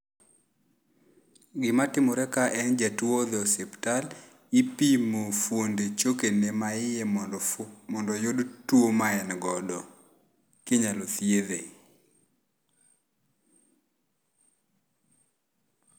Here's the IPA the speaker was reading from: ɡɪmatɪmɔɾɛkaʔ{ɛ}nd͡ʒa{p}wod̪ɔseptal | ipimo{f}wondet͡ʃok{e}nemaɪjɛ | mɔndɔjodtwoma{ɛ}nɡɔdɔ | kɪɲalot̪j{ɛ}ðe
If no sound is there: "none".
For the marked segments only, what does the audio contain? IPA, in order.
ɛ, t, f, e, ɛ, e

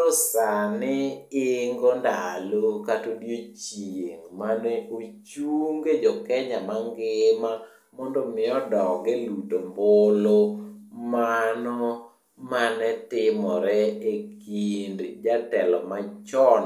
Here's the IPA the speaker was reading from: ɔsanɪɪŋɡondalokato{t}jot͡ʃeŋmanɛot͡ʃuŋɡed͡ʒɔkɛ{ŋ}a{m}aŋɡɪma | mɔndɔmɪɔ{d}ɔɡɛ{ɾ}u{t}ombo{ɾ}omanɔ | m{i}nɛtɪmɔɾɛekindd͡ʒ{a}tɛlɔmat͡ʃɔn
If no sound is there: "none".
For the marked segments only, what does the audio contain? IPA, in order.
d, ɲ, m, d, l, t, l, a, a

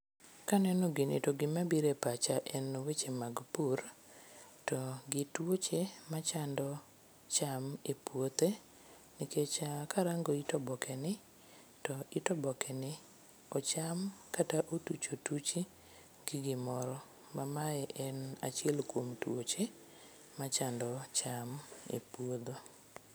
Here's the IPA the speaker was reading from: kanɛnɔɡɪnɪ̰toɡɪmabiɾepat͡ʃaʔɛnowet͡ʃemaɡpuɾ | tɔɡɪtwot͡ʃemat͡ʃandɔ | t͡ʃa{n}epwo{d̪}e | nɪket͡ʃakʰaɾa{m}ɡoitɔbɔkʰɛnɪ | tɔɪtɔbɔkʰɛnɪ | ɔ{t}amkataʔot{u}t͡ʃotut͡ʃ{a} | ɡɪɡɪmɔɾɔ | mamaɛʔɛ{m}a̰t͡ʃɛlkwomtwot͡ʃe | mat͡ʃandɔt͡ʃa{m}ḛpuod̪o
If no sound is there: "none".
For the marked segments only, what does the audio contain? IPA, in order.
m, t̪, ŋ, t͡ʃ, u, i, n, m

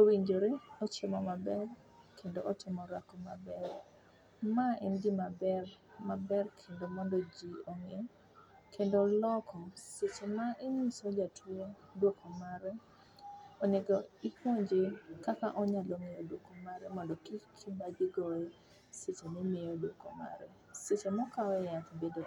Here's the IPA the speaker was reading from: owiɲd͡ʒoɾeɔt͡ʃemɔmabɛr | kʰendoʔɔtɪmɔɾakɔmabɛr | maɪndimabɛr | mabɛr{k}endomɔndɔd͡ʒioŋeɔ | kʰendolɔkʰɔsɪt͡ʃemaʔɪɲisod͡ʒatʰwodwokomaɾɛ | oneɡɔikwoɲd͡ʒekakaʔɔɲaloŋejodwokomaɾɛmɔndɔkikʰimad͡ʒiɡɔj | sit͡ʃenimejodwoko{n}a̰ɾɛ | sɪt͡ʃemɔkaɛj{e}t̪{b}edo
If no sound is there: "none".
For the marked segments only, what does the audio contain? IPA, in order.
kʰ, m, a, b

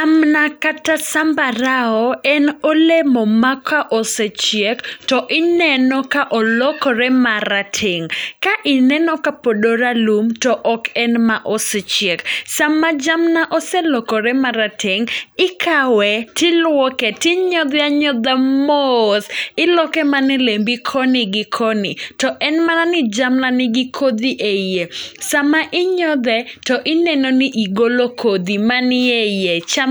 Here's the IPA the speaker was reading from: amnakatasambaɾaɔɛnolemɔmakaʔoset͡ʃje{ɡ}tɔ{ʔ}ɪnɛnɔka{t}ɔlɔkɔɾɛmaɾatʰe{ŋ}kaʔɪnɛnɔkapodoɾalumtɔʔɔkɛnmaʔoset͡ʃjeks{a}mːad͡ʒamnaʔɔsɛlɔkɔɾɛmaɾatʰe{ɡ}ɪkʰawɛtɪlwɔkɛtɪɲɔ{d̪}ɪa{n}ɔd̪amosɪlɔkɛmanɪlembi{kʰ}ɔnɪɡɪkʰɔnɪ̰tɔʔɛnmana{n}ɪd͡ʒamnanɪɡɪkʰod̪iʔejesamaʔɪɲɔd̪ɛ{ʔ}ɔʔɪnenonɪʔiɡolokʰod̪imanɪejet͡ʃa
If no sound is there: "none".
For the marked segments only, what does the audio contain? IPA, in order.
k, ʔ, ʔ, ŋ, a, ŋ, d̪, ɲ, kʰ, n, t

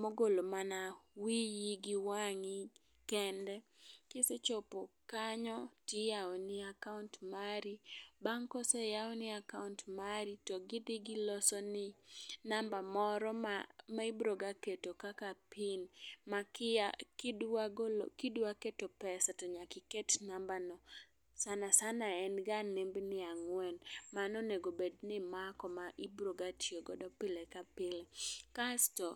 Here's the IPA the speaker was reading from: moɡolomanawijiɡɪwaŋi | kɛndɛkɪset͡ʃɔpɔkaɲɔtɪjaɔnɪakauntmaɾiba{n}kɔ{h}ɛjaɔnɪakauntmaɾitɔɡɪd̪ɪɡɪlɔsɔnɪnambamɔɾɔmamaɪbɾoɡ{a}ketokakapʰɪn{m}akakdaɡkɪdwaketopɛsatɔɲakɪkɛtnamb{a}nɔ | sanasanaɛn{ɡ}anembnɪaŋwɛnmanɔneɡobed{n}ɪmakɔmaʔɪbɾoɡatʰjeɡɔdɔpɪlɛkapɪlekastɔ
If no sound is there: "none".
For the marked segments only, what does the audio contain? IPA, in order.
ŋ, s, a, m, a, ɡ, n

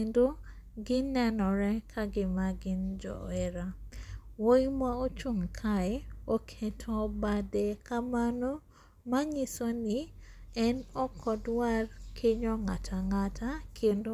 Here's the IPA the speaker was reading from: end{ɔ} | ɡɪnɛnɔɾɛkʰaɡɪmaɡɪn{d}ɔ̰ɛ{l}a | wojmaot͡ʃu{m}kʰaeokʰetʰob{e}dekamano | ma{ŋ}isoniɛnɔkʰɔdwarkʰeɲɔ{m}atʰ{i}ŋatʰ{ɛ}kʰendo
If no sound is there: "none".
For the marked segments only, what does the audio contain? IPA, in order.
o, d͡ʒ, ɾ, ŋ, a, ɲ, ŋ, a, a

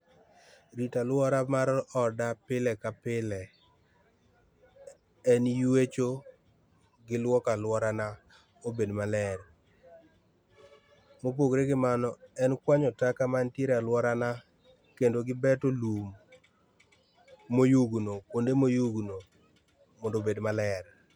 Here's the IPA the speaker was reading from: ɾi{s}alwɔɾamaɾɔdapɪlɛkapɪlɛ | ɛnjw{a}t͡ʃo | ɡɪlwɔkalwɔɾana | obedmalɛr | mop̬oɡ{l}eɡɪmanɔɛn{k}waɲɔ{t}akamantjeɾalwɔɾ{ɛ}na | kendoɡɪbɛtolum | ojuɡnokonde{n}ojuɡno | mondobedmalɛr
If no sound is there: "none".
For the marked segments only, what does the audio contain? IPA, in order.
t, e, ɾ, k, t, a, m

